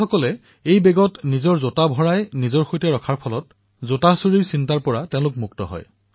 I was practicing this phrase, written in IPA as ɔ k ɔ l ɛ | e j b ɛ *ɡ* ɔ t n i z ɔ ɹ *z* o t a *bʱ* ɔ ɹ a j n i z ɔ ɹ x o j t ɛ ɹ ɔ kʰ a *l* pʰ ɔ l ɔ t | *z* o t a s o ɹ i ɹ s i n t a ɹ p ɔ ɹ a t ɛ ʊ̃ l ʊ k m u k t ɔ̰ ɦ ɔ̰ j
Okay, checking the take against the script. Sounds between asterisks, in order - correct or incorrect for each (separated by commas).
correct, correct, correct, incorrect, correct